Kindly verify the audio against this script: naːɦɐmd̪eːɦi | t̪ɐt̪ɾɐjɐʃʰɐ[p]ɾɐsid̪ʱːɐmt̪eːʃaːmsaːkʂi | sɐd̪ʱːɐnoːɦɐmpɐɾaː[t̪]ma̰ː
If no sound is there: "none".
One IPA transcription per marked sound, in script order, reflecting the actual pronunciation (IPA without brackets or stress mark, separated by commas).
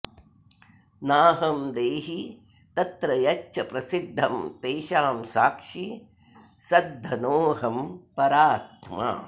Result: p, t̪